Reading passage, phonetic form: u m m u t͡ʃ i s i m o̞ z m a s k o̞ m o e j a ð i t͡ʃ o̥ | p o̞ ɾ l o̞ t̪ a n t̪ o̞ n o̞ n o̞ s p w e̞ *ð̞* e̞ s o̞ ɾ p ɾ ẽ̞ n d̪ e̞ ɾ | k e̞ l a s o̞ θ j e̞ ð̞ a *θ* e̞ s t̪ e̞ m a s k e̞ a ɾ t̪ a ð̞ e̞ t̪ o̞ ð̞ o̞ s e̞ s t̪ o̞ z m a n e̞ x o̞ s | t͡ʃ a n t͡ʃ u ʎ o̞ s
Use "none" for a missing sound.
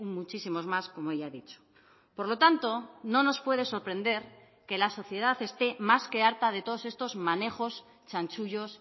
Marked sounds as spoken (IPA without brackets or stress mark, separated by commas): ð̞, θ